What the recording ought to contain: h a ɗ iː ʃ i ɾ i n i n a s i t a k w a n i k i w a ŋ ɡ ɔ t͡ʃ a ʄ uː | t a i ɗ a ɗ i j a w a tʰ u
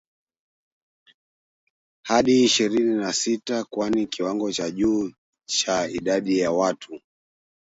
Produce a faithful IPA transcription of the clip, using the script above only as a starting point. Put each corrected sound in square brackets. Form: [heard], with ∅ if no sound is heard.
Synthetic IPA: h a ɗ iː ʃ i ɾ i n i n a s i t a k w a n i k i w a ŋ ɡ ɔ t͡ʃ a ʄ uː | [t͡ʃ] a i ɗ a ɗ i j a w a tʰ u